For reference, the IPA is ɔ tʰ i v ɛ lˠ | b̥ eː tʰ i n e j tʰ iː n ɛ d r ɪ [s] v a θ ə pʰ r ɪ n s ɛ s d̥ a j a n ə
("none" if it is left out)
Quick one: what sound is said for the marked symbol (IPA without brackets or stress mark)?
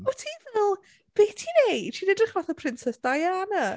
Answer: χ